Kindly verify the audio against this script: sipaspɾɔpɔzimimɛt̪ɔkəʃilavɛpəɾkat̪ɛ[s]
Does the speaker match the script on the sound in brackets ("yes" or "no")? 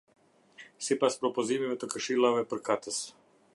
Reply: yes